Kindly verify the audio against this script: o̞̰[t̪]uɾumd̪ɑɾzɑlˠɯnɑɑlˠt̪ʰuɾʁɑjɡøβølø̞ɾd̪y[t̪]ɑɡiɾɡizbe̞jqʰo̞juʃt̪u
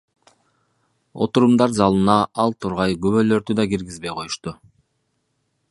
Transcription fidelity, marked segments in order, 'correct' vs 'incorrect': correct, incorrect: d̪

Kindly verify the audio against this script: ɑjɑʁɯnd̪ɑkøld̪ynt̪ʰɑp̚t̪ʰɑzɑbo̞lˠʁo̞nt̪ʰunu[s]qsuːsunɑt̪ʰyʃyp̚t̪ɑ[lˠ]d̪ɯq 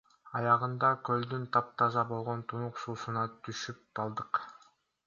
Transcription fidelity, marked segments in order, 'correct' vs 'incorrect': incorrect: none, correct

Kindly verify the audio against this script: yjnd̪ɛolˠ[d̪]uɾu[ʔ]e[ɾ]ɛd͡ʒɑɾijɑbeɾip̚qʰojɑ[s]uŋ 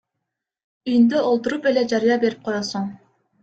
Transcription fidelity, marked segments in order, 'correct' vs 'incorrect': incorrect: t̪, incorrect: p, incorrect: l, correct

